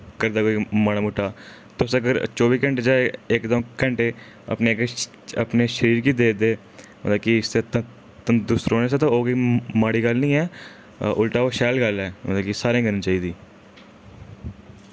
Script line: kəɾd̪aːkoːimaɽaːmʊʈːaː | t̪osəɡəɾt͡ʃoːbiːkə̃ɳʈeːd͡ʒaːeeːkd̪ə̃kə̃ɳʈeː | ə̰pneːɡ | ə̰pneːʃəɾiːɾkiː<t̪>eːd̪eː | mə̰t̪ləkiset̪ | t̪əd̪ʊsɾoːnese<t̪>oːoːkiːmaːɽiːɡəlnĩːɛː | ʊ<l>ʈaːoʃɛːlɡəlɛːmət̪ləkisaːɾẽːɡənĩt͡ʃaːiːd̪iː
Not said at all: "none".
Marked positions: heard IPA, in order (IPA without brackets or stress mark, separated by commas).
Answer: d̪, t̪, l